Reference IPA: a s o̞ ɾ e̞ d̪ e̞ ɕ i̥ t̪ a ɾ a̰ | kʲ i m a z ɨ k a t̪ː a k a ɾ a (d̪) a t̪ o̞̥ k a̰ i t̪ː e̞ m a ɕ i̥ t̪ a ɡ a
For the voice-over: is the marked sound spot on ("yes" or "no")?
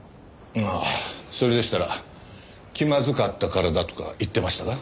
yes